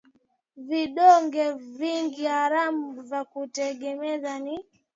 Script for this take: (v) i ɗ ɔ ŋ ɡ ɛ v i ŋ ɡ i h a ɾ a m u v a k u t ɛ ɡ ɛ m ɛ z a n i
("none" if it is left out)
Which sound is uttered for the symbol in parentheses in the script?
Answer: v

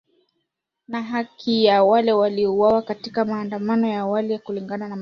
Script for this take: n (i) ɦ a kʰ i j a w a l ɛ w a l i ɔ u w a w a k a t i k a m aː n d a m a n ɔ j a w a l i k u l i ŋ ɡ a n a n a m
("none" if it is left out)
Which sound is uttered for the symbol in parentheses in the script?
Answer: a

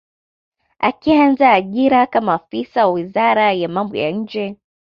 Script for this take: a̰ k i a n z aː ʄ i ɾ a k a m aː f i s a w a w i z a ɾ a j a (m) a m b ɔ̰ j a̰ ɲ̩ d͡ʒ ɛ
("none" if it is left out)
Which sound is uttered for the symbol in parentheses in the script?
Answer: m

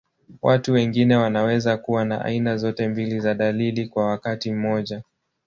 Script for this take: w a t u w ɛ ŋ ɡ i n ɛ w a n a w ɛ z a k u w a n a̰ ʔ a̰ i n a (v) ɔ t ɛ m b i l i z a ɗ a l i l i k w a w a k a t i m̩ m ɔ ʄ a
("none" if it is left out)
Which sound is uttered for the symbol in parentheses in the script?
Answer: z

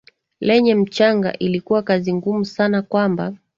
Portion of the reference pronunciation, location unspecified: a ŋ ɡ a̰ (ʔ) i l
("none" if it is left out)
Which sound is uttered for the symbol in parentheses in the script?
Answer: ʔ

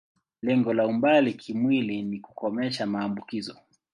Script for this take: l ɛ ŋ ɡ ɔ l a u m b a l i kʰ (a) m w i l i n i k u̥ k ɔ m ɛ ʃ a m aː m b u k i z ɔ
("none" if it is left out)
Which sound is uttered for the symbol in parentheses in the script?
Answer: i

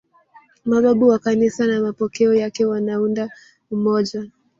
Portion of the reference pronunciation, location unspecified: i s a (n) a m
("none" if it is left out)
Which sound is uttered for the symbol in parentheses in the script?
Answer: n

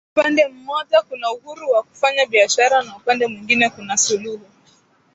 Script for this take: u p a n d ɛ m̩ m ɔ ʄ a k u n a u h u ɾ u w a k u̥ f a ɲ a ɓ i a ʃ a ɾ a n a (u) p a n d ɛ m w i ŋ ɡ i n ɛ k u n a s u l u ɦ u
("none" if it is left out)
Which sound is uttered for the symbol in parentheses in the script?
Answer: u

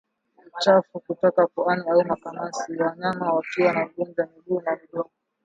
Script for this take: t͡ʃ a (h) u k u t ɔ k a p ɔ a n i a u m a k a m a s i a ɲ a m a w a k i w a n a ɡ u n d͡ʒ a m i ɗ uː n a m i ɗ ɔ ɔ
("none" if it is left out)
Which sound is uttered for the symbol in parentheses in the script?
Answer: f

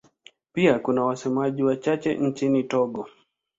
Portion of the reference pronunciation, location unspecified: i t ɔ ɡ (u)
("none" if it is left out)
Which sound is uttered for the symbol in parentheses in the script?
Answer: ɔ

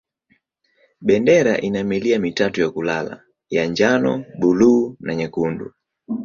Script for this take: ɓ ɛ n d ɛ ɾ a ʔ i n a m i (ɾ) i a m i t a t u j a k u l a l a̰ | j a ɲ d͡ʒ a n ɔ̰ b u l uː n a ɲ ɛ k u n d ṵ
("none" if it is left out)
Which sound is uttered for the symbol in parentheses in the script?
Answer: l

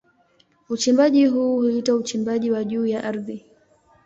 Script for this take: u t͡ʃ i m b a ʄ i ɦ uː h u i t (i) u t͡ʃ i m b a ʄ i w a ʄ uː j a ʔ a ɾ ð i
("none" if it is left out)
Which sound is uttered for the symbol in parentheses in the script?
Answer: a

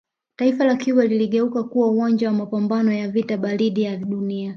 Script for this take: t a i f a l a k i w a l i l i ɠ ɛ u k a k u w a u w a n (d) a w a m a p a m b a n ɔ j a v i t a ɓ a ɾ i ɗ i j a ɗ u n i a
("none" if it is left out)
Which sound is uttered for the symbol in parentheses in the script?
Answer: d͡ʒ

